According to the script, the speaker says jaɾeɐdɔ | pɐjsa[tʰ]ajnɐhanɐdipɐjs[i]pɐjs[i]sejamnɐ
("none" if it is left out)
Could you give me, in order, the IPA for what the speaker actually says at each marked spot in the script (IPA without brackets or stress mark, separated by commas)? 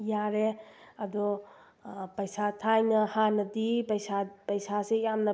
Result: tʰ, a, a